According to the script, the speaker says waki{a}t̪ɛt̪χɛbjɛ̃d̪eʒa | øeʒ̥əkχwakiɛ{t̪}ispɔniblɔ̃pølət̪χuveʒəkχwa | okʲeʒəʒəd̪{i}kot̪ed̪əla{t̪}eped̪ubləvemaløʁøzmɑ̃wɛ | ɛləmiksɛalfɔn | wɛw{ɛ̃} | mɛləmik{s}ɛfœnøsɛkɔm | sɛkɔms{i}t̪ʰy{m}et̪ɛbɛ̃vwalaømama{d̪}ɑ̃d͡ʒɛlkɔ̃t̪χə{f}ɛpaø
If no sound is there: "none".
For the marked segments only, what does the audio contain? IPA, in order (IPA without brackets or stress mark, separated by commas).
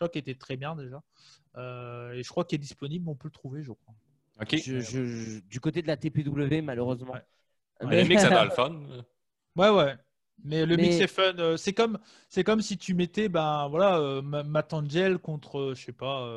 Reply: e, d̪, y, t̪, ɛ, s, i, m, t̪, ʃ